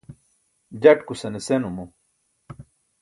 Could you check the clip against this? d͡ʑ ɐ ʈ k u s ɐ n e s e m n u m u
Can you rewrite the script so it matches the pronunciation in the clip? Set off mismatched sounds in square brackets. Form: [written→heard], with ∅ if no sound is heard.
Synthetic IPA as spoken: d͡ʑ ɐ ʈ k u s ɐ n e s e [m→∅] n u m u